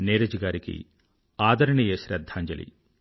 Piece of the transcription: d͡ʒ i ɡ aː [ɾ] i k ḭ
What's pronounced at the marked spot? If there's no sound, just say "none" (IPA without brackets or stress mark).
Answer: ɾ